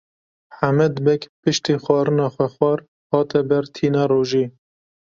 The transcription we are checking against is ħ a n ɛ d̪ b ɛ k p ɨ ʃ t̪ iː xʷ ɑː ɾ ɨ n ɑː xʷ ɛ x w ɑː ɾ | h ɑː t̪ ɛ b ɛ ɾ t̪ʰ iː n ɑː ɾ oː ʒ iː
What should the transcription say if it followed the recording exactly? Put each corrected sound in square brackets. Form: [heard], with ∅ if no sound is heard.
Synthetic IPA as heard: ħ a [m] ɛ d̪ b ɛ k p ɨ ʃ t̪ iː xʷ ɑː ɾ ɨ n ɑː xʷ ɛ x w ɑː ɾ | h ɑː t̪ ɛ b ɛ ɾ t̪ʰ iː n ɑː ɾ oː ʒ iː